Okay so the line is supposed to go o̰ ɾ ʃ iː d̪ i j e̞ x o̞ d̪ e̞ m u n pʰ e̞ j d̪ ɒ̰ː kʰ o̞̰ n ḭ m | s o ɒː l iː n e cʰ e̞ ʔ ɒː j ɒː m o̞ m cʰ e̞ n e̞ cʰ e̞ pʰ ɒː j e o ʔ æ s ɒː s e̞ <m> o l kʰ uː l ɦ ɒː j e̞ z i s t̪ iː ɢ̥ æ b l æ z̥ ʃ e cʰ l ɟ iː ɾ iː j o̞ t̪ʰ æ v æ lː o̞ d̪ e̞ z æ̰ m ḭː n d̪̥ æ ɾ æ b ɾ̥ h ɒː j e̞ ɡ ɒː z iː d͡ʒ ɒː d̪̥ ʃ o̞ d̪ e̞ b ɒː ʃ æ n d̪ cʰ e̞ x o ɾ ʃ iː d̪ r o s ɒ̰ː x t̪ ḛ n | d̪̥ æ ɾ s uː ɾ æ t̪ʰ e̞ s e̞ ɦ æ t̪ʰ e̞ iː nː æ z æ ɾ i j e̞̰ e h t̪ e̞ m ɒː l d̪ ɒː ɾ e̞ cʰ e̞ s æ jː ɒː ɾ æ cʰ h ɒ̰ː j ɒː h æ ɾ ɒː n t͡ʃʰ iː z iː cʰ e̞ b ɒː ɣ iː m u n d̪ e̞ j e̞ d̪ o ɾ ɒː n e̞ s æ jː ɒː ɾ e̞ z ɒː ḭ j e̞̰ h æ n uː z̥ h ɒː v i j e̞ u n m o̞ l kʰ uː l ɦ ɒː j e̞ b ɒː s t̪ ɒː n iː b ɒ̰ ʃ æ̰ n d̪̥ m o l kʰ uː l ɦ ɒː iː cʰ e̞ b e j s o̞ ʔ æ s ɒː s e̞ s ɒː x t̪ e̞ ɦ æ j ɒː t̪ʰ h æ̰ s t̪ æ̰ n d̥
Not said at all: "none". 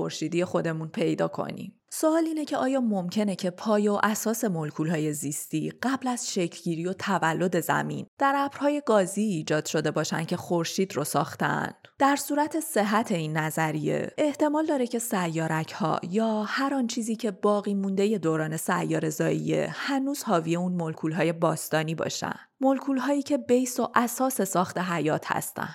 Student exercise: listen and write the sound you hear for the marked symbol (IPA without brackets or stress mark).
m